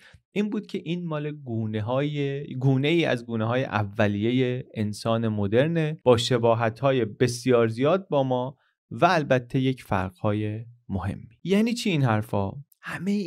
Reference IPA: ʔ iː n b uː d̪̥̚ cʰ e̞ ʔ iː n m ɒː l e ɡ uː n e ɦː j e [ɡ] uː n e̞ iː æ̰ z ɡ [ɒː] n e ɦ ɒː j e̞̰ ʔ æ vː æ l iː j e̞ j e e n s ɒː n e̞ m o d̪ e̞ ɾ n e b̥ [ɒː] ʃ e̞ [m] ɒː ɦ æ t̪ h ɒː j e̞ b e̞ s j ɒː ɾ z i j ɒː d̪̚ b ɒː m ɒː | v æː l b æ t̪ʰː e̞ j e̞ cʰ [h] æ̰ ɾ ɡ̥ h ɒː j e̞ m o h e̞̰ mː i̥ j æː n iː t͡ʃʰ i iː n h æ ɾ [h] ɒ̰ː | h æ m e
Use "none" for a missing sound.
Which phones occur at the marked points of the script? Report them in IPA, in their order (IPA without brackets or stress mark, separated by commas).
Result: ɡ, uː, ɒː, b, f, f